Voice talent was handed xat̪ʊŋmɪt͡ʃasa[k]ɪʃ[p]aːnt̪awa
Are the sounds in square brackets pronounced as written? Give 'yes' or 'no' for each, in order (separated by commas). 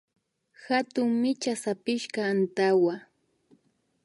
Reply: no, no